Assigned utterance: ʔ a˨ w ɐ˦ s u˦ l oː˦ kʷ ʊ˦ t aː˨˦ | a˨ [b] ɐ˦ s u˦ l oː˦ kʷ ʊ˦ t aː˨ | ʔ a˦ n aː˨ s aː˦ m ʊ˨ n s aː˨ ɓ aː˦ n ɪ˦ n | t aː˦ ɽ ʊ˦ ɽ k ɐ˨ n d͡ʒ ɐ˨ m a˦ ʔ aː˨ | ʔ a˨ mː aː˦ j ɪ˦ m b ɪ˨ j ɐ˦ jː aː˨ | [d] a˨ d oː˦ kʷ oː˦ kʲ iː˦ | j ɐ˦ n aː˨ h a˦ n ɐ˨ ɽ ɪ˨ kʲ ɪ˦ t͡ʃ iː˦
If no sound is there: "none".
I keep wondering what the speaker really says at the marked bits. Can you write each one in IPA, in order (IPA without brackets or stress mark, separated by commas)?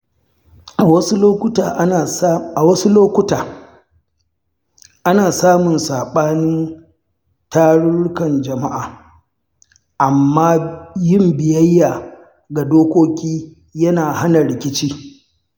w, ɡ